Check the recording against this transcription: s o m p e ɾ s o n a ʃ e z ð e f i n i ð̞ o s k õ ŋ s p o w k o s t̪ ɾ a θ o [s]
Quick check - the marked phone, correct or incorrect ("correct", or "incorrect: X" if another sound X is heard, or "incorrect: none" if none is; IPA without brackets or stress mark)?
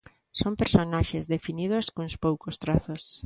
correct